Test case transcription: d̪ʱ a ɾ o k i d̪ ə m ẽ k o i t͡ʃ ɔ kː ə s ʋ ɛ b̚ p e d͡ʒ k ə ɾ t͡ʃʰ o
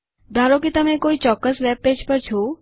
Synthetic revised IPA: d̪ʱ a ɾ o k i t̪ ə m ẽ k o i t͡ʃ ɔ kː ə s ʋ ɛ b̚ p e d͡ʒ p ə ɾ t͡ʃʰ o